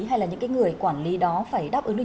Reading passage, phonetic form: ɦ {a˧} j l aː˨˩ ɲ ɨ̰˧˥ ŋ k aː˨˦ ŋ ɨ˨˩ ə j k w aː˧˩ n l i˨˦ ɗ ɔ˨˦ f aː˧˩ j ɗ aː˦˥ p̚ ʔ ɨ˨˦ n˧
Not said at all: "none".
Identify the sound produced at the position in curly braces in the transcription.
a˧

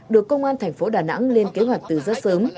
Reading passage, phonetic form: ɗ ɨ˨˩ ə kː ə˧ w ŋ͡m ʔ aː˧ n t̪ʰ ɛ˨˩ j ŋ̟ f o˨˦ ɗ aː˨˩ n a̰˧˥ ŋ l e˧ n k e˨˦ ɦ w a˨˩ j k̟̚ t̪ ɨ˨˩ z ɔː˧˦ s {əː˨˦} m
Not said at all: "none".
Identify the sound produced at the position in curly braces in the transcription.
əː˨˦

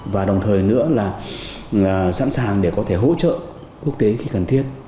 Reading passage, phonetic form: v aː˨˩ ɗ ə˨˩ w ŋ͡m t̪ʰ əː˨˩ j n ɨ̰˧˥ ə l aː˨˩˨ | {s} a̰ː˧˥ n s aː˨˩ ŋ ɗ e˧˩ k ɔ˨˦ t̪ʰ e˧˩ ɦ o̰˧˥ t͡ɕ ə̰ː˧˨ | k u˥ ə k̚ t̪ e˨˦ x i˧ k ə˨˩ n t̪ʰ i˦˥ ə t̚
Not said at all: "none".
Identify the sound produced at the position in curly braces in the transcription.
s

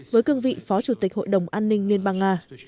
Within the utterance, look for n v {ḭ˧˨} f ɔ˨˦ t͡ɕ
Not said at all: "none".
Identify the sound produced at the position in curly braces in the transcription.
ḭ˧˨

